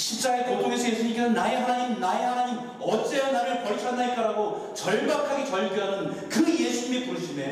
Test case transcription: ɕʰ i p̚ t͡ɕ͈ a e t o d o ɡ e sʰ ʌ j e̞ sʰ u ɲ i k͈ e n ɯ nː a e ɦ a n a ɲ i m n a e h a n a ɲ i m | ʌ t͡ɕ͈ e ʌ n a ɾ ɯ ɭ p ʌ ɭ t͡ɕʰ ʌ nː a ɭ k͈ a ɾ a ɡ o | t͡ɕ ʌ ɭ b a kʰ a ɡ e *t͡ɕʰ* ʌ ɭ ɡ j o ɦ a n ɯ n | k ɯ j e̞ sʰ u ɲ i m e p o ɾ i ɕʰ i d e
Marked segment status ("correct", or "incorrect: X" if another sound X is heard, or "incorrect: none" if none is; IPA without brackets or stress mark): incorrect: t͡ɕ